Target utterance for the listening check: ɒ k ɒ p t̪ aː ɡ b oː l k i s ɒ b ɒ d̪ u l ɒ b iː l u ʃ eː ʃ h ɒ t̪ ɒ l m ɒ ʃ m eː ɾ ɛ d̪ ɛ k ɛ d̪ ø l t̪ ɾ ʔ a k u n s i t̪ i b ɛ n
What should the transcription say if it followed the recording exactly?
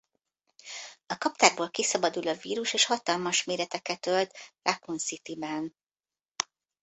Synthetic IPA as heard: ɒ k ɒ p t̪ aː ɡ b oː l k i s ɒ b ɒ d̪ u l ɒ v iː ɾ u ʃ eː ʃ h ɒ t̪ ɒ l m ɒ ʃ m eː ɾ ɛ t̪ ɛ k ɛ t̪ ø l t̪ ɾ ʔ a k u n s i t̪ i b ɛ n